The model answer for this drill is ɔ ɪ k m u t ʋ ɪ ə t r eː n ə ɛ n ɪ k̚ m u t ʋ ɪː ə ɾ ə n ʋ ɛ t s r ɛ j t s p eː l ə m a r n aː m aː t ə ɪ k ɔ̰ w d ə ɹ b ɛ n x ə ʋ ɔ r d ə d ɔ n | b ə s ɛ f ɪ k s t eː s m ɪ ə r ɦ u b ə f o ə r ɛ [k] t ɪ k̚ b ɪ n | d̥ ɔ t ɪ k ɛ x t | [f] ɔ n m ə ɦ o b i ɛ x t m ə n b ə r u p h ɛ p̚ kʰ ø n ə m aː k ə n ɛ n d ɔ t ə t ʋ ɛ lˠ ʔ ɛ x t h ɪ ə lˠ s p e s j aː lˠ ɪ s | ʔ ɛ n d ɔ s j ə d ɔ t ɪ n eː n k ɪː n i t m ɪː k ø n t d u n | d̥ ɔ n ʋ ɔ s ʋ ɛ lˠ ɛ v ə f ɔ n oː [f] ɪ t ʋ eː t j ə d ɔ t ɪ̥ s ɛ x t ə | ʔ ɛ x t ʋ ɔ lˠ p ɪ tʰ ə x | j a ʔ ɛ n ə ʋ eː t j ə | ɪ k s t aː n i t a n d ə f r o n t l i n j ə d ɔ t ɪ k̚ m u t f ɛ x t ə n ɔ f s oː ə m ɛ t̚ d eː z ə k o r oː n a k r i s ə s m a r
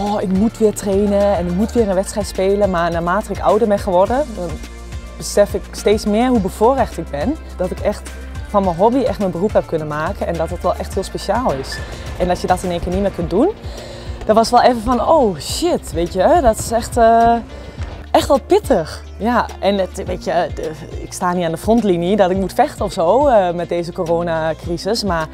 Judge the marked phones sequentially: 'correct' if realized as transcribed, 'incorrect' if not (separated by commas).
incorrect, correct, incorrect